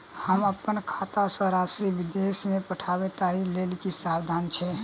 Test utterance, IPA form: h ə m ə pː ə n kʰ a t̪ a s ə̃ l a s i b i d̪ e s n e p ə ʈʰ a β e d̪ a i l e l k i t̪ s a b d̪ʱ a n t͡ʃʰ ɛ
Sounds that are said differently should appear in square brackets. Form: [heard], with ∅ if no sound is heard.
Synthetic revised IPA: h ə m ə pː ə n kʰ a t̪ a s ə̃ [ɾ] a s i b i d̪ e s [m] e p ə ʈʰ a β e [t̪] a i l e l k i [∅] s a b d̪ʱ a n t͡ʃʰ ɛ